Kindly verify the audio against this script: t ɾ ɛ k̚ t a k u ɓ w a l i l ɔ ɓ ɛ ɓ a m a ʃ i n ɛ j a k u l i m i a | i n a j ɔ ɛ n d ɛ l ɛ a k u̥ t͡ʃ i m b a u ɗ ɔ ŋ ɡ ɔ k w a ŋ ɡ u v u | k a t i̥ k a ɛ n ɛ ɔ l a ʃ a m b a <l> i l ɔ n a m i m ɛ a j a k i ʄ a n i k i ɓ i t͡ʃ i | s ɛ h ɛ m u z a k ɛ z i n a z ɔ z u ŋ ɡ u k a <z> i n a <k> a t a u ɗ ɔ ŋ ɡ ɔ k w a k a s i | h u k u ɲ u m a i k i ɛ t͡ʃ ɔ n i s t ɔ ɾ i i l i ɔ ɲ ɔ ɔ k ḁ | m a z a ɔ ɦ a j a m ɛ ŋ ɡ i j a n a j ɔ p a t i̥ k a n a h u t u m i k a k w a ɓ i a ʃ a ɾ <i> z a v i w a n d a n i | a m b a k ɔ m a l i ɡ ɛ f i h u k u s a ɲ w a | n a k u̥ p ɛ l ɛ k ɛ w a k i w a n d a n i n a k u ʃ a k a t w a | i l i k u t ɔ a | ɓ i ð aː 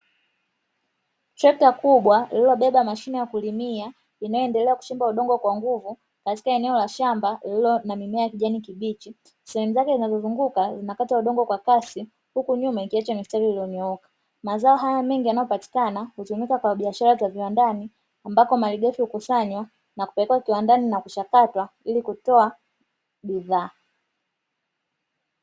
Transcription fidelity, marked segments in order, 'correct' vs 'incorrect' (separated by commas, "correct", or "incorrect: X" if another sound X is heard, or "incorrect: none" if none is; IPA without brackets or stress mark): correct, correct, correct, incorrect: a